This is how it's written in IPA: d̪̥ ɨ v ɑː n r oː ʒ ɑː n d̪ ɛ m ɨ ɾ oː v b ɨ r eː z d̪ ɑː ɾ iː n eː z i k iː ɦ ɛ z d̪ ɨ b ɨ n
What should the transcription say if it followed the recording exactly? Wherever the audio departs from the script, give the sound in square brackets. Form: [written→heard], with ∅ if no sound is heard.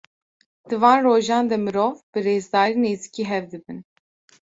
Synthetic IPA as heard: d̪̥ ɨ v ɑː n r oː ʒ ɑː n d̪ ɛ m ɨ ɾ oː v b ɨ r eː z d̪ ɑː ɾ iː n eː z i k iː ɦ ɛ [z→v] d̪ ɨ b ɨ n